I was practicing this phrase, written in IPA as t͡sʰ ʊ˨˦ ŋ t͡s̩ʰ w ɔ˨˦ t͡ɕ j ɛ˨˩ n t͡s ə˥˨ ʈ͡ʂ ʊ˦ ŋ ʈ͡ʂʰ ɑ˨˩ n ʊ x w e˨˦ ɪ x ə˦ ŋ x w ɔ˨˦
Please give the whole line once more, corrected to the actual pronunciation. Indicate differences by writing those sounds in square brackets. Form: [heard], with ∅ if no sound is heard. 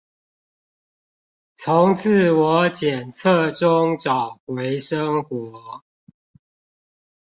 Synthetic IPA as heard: t͡sʰ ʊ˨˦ ŋ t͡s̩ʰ w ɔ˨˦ t͡ɕ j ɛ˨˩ n [t͡sʰ] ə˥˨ ʈ͡ʂ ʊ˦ ŋ [ʈ͡ʂ] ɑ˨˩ [∅] ʊ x w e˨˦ ɪ [ʂ] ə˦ ŋ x w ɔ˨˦